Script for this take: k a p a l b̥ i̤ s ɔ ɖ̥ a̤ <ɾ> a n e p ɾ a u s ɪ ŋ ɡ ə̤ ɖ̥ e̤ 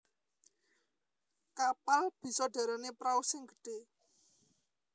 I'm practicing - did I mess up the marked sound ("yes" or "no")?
no